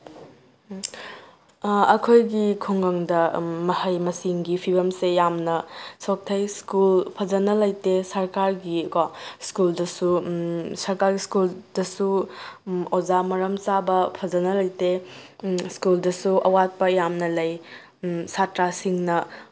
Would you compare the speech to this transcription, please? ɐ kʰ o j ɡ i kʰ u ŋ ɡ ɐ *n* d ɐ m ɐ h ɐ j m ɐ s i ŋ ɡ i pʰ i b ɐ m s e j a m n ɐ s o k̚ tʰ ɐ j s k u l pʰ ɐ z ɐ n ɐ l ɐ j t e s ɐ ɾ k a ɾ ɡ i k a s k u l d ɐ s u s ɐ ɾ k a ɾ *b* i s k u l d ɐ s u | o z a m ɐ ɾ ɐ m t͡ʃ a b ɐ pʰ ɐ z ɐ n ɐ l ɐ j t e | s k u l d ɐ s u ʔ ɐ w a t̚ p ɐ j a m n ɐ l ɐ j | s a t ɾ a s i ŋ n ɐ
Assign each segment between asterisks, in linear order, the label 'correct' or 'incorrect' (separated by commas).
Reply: incorrect, incorrect